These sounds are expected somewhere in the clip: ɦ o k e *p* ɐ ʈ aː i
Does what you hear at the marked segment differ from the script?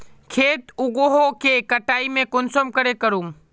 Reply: yes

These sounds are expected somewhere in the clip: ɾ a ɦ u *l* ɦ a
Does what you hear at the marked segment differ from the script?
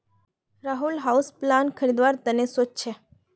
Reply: no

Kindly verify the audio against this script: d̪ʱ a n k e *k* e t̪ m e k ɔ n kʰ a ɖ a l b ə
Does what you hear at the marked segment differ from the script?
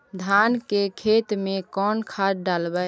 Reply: yes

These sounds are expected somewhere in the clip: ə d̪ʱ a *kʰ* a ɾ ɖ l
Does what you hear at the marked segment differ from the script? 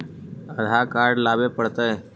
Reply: yes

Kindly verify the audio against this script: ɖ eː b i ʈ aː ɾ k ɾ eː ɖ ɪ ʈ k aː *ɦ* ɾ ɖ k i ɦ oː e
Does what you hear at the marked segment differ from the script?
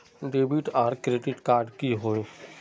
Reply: yes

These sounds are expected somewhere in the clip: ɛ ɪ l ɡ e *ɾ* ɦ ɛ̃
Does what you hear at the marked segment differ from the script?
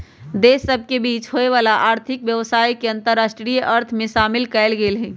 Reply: yes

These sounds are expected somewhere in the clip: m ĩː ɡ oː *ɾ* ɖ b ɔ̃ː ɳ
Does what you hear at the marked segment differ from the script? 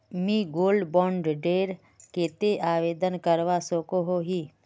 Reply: yes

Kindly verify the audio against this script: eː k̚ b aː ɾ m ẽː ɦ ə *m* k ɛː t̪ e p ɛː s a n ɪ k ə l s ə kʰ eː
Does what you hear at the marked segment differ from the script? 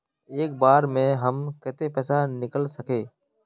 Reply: no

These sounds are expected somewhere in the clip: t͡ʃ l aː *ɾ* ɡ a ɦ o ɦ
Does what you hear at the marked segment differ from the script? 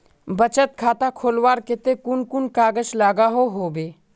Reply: yes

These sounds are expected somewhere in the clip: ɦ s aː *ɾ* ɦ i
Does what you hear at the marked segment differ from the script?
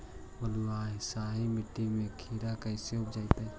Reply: yes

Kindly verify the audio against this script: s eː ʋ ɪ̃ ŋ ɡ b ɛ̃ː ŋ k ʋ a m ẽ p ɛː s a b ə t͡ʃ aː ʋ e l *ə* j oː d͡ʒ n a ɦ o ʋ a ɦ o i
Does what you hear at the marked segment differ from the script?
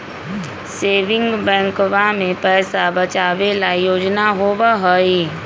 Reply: yes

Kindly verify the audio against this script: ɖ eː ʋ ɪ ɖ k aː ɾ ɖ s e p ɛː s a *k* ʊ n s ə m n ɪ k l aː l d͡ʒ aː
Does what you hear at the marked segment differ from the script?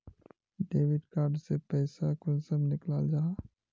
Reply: no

